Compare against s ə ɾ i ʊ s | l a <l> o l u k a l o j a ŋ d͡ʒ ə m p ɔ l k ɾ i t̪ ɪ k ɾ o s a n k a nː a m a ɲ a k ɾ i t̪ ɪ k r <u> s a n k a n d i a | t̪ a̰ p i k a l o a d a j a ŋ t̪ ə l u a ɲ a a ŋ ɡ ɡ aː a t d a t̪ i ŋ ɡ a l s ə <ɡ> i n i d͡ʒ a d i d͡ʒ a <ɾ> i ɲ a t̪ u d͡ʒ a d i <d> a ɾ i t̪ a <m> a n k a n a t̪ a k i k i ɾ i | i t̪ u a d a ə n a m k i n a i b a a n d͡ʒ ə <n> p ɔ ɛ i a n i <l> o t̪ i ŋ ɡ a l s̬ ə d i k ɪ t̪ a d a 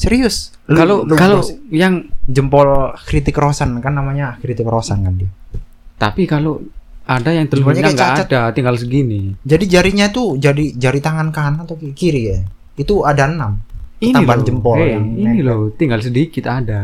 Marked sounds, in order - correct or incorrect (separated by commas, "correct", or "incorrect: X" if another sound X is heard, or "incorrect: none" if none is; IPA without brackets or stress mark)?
correct, incorrect: o, correct, correct, incorrect: d͡ʒ, incorrect: ŋ, incorrect: m, correct